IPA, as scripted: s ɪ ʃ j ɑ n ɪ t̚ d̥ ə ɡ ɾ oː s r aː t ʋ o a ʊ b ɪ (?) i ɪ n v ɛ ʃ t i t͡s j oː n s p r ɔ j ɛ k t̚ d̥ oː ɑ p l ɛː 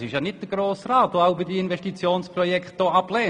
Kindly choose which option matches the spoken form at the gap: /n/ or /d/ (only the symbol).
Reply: d